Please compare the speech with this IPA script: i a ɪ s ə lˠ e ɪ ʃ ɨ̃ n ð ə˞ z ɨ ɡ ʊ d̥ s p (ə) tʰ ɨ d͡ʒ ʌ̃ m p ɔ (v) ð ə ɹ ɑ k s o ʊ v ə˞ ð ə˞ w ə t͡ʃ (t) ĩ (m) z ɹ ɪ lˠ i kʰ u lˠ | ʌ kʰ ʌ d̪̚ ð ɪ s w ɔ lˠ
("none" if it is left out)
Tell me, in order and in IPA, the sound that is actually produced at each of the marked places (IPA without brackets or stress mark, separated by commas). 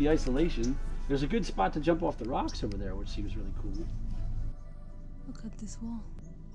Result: ɑ, f, s, m